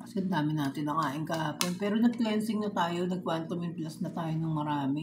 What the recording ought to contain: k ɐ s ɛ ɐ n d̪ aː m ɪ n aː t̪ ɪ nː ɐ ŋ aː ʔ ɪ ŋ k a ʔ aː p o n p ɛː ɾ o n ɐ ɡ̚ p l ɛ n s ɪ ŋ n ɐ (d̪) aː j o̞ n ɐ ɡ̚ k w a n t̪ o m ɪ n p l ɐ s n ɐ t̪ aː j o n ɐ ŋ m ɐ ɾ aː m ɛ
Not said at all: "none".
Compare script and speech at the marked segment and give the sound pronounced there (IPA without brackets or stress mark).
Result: t̪